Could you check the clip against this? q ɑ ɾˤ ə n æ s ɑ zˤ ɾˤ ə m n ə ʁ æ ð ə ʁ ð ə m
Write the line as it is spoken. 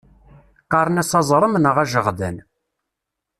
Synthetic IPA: q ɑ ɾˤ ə n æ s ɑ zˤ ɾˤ ə m n ə ʁ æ ʒ ə ʁ ð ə n

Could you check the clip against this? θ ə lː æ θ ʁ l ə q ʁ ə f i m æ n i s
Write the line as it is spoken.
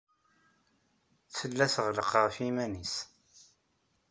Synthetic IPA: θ ə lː æ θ ʁ l ə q ʁ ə f i m æ n i s

